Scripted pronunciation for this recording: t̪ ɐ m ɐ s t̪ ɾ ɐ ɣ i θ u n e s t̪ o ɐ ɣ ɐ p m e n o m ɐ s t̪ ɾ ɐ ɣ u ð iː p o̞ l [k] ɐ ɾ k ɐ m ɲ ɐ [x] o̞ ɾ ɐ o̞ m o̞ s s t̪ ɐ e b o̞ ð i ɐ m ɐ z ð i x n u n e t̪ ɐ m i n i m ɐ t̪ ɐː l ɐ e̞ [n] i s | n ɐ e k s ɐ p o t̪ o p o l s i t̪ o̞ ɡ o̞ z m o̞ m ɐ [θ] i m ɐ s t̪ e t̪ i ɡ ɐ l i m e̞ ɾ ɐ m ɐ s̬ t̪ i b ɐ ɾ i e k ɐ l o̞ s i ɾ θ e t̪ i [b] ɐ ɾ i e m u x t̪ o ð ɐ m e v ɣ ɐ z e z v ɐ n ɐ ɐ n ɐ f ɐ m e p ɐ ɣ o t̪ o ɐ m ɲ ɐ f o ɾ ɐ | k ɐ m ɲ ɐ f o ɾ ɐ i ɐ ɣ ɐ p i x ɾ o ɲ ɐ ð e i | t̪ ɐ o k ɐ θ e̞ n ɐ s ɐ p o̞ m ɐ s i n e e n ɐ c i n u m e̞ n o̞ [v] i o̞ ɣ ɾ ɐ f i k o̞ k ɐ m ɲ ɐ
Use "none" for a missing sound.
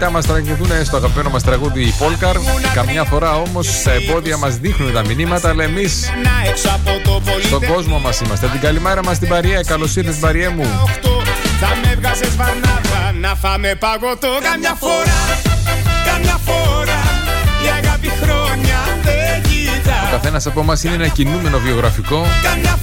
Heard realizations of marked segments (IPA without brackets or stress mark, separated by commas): k, f, m, s, b, v